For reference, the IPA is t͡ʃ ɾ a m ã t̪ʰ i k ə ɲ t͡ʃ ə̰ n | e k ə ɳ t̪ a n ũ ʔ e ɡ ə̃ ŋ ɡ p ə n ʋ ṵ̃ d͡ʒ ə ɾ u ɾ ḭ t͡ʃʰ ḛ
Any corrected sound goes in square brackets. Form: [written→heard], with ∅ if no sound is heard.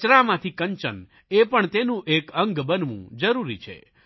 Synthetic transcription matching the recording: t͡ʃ ɾ a m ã t̪ʰ i k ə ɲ t͡ʃ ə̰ n | e [k→p] ə ɳ t̪ [a→e] n ũ ʔ e [ɡ→k] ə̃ ŋ ɡ [p→b] ə n ʋ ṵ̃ d͡ʒ ə ɾ u ɾ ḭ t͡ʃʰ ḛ